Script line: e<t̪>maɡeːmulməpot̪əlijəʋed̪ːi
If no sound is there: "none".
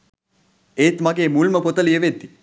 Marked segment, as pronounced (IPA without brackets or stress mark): t̪